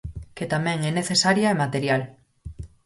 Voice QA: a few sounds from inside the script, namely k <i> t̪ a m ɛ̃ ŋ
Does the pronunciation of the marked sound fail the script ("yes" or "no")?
yes